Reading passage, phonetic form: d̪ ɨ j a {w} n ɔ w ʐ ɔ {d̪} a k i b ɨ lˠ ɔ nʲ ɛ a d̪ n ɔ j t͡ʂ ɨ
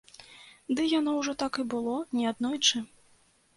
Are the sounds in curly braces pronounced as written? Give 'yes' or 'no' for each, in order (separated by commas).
no, no